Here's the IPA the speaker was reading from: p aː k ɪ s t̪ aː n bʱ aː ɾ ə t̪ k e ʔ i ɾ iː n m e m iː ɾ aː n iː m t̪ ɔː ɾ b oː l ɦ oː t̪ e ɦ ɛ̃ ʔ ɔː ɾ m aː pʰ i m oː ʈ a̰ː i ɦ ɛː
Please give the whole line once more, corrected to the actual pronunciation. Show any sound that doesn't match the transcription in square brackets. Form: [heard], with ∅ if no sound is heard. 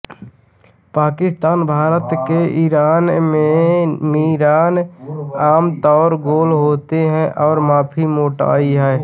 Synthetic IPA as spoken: p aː k ɪ s t̪ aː n bʱ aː ɾ ə t̪ k e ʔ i ɾ [aː] n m e m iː ɾ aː n [aː] m t̪ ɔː ɾ [ɡ] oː l ɦ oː t̪ e ɦ ɛ̃ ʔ ɔː ɾ m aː pʰ i m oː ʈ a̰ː i ɦ ɛː